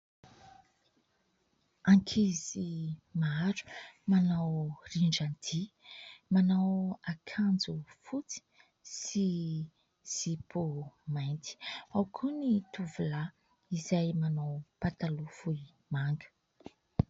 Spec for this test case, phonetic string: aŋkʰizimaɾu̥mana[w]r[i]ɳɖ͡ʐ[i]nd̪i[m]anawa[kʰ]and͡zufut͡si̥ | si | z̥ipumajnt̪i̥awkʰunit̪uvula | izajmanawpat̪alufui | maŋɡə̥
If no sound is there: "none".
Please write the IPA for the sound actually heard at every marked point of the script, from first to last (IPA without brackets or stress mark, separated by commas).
w, i, a, m, kʰ